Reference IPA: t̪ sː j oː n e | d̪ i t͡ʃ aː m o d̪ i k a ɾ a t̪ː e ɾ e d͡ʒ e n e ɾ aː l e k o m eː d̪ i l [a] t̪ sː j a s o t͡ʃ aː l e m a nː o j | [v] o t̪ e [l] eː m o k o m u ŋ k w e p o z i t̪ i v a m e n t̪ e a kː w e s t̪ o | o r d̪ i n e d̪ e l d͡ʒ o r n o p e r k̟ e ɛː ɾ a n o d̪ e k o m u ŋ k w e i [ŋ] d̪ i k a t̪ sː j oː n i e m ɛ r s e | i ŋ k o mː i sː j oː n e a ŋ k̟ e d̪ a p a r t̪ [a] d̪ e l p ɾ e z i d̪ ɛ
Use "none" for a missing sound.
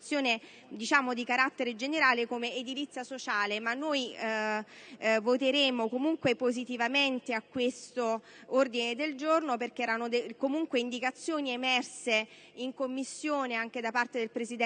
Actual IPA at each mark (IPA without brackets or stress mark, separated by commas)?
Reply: i, v, ɾ, n, e